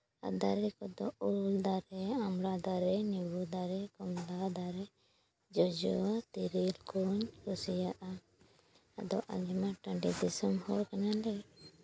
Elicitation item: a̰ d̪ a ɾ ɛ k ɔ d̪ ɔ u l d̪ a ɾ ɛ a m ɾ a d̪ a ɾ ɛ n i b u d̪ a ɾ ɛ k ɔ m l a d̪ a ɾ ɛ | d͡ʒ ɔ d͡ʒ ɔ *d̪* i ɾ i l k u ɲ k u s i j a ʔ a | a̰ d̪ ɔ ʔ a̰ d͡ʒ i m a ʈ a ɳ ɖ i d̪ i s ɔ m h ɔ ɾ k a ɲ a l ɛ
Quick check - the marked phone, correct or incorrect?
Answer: incorrect